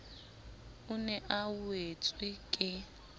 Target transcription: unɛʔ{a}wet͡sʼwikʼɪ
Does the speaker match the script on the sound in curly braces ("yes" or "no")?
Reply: yes